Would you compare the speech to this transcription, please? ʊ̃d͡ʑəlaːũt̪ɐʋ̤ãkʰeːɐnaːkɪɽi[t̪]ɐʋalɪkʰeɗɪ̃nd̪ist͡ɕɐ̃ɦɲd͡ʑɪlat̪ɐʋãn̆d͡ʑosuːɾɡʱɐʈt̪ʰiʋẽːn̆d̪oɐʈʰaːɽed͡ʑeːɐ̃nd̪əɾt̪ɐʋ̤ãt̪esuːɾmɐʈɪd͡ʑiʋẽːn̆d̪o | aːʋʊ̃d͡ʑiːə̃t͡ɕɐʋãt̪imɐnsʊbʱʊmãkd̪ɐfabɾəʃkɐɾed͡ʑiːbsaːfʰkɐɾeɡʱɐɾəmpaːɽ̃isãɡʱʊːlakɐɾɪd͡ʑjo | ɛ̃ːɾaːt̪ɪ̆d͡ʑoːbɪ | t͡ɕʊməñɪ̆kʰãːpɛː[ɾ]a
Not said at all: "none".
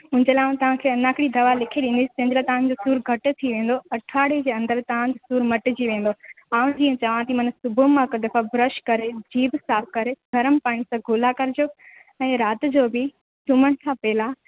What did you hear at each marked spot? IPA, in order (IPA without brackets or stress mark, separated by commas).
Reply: d̪, l